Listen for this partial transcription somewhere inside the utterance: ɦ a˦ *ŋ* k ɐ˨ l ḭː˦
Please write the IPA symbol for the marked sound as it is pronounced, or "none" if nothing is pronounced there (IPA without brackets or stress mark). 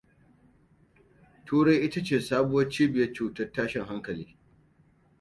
ŋ